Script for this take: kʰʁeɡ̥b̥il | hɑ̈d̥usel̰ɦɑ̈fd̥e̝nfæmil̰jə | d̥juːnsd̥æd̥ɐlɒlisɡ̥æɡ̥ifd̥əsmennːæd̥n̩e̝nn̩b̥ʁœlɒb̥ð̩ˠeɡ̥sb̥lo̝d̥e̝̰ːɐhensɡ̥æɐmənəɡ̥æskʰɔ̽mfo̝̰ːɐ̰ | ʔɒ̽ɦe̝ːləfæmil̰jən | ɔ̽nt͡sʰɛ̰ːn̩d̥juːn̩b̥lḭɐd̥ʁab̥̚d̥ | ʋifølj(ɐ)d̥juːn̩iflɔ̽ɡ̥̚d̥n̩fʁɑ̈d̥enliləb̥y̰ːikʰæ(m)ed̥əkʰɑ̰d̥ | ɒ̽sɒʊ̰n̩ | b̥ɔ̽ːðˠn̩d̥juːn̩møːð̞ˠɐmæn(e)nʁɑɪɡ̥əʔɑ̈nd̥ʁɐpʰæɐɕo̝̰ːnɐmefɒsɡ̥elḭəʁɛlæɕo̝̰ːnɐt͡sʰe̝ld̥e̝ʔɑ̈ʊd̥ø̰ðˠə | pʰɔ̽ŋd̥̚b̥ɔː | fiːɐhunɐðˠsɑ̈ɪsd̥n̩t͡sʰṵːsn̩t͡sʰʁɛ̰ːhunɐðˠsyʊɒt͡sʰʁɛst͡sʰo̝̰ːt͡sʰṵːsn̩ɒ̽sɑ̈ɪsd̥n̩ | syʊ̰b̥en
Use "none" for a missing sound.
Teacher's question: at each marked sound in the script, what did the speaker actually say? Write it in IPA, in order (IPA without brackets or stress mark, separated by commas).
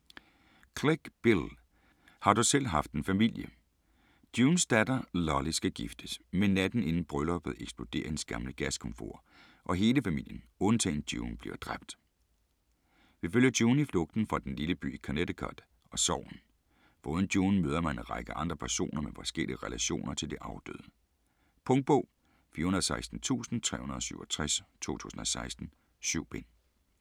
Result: ɐ, n, e